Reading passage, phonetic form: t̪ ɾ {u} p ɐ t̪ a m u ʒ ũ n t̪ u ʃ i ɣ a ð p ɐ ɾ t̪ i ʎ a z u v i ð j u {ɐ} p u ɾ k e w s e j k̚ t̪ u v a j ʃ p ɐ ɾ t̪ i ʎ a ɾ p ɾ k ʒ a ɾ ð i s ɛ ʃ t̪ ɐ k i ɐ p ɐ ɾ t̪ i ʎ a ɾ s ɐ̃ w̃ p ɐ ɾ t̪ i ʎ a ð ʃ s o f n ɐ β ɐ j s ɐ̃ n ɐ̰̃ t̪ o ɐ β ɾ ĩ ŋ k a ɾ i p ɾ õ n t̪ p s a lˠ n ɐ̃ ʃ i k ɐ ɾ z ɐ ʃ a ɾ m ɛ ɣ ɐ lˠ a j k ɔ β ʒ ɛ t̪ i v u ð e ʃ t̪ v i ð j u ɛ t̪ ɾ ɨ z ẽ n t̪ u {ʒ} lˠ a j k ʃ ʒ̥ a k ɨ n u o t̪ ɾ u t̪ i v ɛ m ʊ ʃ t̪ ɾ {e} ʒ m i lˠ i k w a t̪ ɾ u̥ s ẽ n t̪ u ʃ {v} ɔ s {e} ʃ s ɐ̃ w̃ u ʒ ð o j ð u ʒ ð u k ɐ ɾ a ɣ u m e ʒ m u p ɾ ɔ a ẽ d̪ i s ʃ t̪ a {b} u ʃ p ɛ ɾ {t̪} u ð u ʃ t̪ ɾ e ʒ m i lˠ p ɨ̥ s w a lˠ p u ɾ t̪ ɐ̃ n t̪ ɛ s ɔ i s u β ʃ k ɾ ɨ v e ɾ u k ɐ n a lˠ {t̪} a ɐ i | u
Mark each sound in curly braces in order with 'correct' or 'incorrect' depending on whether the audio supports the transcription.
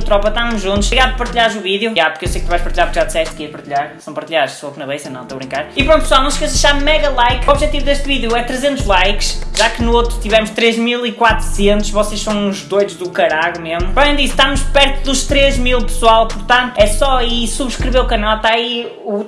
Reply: incorrect: ɔ, incorrect: a, correct, correct, correct, correct, incorrect: m, correct, correct

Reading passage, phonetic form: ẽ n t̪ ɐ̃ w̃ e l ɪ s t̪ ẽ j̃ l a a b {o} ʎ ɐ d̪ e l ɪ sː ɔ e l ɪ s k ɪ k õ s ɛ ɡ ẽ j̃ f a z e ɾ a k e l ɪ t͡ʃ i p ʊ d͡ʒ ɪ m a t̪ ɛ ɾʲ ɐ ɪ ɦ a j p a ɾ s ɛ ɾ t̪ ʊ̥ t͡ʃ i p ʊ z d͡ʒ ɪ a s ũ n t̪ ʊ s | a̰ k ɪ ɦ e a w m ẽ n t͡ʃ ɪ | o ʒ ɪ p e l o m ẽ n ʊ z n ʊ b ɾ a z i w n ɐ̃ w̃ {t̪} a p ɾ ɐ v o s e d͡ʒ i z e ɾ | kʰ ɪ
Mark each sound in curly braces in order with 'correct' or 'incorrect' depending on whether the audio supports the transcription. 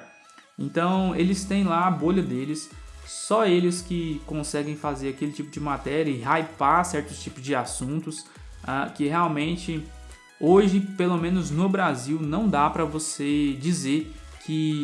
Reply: correct, incorrect: d̪

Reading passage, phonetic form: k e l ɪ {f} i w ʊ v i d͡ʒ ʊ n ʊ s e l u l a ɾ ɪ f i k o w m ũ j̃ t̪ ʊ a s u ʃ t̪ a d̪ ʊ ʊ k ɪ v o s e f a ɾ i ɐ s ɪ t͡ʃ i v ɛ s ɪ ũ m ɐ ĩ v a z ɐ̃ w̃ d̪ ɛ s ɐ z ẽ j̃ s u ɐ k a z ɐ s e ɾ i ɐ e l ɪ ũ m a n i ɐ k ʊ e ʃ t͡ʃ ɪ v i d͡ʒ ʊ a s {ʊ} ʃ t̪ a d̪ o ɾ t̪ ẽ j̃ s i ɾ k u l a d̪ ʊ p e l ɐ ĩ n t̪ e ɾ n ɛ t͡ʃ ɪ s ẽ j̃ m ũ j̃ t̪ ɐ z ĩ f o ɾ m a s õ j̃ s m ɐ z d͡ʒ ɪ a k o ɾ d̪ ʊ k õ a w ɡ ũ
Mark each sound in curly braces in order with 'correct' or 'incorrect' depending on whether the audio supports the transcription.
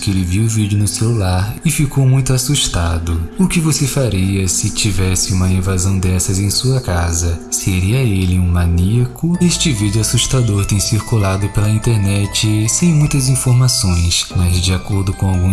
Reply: incorrect: v, incorrect: u

